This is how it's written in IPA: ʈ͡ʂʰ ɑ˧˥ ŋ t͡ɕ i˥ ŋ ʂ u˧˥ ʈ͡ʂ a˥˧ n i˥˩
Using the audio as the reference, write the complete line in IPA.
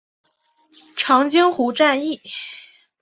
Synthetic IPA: ʈ͡ʂʰ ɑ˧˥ ŋ t͡ɕ i˥ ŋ x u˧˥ ʈ͡ʂ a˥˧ n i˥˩